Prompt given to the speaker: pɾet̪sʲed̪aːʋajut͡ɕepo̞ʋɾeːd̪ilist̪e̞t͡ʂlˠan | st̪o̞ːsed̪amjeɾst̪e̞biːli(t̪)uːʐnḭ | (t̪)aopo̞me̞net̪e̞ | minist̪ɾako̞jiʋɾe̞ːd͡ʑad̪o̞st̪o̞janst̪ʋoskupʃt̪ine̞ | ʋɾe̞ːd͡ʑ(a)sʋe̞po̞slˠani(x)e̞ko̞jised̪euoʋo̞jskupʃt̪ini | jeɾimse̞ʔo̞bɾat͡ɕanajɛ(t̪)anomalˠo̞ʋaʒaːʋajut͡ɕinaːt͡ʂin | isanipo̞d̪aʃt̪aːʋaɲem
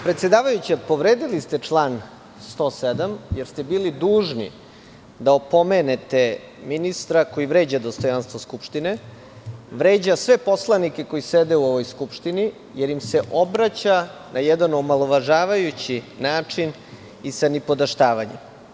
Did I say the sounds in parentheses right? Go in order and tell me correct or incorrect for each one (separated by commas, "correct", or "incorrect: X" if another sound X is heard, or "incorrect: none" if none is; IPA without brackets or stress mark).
incorrect: d̪, incorrect: d̪, correct, incorrect: k, incorrect: d̪